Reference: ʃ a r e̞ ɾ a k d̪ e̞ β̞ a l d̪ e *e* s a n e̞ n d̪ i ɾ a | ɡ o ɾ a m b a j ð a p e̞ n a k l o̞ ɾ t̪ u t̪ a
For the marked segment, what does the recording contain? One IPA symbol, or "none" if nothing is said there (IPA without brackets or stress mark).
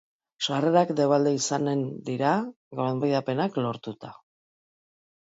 i